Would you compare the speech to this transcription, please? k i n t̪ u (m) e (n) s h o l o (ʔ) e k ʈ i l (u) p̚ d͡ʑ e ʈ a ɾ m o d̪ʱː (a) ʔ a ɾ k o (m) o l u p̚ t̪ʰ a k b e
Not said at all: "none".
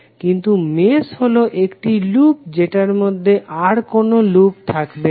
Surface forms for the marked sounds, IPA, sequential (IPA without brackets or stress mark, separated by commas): m, none, ʔ, u, e, n